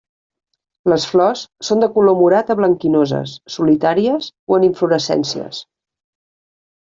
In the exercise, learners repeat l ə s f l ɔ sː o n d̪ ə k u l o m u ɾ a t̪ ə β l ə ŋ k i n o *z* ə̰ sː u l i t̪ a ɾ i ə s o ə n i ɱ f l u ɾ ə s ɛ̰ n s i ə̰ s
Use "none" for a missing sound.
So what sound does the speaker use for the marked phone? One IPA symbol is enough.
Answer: z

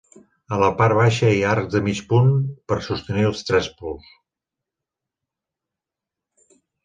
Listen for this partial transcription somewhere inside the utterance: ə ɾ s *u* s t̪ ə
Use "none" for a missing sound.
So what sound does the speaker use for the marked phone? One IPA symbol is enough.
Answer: u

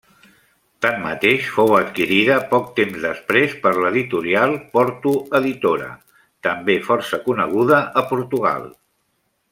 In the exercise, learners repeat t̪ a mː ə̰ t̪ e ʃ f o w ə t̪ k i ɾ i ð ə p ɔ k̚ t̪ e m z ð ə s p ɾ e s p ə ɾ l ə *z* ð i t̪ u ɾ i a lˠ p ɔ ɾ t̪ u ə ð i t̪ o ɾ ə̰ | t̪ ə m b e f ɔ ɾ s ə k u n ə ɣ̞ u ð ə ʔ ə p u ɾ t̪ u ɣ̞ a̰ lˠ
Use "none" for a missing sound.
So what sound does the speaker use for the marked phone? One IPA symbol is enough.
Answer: none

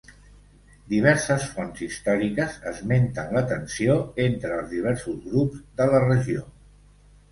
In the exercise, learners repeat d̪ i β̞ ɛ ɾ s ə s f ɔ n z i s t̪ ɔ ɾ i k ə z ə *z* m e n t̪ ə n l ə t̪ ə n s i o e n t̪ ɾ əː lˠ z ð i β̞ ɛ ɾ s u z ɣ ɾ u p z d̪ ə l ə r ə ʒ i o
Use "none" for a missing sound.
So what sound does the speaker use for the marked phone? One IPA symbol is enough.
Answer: z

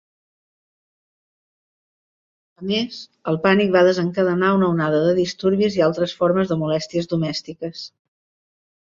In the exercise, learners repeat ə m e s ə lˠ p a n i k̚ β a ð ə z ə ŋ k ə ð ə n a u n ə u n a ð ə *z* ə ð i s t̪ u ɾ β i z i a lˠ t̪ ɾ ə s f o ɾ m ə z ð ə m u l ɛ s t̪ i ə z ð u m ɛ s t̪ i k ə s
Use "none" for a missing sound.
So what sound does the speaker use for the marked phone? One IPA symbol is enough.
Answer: ð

